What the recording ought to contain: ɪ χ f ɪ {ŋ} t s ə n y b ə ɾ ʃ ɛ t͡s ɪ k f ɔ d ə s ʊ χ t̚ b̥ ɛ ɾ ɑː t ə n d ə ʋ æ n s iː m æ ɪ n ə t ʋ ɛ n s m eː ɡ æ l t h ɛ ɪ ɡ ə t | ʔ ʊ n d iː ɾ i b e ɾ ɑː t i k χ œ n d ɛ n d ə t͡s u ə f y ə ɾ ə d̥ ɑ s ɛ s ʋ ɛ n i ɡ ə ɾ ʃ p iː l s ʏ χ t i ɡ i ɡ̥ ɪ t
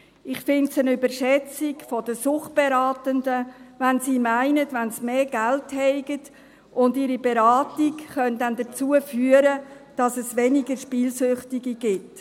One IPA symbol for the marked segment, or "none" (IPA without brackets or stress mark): n